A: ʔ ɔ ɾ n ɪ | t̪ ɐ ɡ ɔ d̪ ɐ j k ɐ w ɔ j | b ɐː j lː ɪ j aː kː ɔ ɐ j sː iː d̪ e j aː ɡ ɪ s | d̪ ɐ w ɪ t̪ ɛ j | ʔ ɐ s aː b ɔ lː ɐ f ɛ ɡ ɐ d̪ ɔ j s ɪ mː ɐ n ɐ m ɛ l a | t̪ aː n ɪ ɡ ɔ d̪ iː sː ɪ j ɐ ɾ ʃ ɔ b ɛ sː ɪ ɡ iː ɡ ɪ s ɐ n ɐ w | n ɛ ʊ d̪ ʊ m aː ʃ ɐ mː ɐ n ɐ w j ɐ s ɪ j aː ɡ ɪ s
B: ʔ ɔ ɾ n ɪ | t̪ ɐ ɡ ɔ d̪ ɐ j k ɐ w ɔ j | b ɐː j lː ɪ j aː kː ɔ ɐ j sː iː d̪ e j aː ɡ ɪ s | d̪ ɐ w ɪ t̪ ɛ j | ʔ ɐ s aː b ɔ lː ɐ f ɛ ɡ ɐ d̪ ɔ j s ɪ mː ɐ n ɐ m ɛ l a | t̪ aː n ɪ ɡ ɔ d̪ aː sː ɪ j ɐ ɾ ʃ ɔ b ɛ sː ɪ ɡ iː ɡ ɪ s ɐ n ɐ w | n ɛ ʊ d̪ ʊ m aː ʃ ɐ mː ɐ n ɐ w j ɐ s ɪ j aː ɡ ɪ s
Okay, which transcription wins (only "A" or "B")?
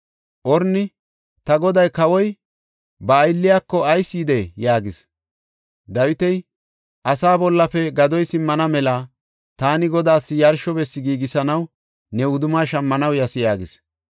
B